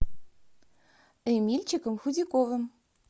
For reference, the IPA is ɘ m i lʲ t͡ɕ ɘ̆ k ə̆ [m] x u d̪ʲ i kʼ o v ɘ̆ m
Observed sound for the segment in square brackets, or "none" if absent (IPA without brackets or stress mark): m